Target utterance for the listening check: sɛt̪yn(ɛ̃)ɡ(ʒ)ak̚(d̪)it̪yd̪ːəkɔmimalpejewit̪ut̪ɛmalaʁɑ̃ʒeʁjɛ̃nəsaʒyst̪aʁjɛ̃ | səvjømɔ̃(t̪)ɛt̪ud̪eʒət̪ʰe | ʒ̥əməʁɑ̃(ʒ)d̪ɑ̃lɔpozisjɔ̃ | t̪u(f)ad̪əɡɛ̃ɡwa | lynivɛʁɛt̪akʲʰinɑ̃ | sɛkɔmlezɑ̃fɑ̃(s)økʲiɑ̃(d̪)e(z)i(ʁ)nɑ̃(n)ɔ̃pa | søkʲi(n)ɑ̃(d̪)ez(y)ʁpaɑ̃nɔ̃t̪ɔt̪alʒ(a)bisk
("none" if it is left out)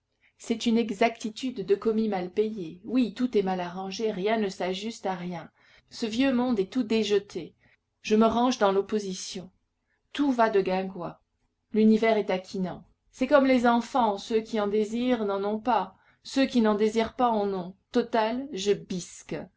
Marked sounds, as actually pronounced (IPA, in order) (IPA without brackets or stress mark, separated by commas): ɛ, z, t̪, d̪, ʒ, v, s, d̪, z, ʁ, n, n, d̪, i, ə